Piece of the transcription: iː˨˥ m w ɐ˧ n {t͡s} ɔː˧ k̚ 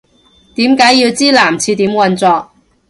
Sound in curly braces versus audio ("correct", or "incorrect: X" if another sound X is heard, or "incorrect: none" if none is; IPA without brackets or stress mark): correct